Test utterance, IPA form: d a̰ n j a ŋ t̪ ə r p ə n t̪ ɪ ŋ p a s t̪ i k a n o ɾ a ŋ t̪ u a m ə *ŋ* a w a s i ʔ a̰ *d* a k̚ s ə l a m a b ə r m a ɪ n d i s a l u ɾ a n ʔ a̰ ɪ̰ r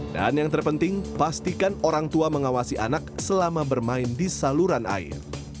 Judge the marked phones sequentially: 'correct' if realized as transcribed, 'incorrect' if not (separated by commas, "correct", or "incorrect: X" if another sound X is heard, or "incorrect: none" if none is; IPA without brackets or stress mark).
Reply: correct, incorrect: n